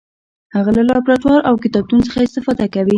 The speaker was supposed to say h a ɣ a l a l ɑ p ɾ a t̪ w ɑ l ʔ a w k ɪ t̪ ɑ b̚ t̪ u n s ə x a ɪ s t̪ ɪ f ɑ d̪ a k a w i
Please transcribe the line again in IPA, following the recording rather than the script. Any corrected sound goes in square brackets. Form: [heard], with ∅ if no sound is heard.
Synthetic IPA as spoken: h a ɣ a l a l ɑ p ɾ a t̪ w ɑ [ɾ] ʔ a w k ɪ t̪ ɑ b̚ t̪ u n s ə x a ɪ s t̪ ɪ f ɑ d̪ a k a w i